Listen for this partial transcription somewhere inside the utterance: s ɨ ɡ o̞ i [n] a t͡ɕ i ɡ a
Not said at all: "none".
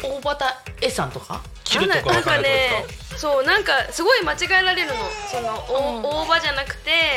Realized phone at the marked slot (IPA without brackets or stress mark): m